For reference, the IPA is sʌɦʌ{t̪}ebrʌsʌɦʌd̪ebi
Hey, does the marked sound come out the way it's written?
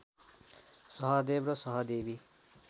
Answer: no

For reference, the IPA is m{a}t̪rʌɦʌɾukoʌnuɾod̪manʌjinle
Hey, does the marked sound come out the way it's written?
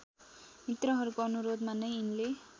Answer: no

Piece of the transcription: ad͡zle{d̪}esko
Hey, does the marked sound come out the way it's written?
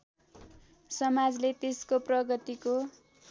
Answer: no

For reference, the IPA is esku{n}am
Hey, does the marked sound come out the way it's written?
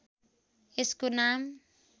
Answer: yes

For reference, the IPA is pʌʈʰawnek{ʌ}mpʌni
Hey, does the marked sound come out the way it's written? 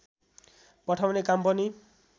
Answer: no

